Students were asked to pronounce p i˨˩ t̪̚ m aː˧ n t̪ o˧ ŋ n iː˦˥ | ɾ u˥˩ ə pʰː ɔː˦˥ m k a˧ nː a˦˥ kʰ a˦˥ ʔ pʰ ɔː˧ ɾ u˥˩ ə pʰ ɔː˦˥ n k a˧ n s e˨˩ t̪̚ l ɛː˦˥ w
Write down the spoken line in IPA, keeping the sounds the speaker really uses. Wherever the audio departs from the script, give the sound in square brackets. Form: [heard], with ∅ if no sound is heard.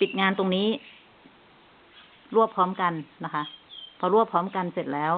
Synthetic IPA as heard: p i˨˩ t̪̚ [ŋ] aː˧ n t̪ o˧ ŋ n iː˦˥ | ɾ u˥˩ ə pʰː ɔː˦˥ m k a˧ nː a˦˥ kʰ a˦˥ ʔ pʰ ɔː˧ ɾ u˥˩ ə pʰ ɔː˦˥ [m] k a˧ n s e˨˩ t̪̚ l ɛː˦˥ w